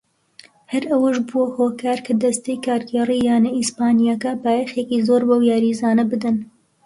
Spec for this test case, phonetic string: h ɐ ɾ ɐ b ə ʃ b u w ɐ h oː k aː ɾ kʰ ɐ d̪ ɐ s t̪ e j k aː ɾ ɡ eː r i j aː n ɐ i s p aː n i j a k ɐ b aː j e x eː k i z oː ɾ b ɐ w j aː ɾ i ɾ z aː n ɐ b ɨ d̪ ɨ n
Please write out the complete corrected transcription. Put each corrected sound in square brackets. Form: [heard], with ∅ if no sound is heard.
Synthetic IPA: h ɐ ɾ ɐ [w] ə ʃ b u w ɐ h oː k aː ɾ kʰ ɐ d̪ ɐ s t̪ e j k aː ɾ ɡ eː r i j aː n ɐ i s p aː n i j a k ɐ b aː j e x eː k i z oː ɾ b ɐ w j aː ɾ i [∅] z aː n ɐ b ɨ d̪ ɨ n